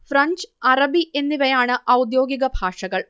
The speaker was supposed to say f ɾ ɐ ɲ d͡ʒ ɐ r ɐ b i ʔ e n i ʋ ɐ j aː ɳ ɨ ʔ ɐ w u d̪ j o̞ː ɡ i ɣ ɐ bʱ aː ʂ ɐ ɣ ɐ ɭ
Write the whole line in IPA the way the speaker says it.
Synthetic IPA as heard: f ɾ ɐ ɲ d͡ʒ ɐ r ɐ b i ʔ e nː i ʋ ɐ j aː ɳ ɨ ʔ ɐ w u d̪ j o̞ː ɡ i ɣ ɐ bʱ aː ʂ ɐ ɣ ɐ ɭ